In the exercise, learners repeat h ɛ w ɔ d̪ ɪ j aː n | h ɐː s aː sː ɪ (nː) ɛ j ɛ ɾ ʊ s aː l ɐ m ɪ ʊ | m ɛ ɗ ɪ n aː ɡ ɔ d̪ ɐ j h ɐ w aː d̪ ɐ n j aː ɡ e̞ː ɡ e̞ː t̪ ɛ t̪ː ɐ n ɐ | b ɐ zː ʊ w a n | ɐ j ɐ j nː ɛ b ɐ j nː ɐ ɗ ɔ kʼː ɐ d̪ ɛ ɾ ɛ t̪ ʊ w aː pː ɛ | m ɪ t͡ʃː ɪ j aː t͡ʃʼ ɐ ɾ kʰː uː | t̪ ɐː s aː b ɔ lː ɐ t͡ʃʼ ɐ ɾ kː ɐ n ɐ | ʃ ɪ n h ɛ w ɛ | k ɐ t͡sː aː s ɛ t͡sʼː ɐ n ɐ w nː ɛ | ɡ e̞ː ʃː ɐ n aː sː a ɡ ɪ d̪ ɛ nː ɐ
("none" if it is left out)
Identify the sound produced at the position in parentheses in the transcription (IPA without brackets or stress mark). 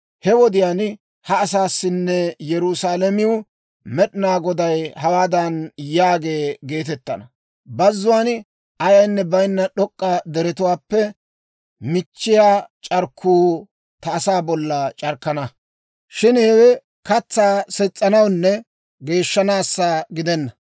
nː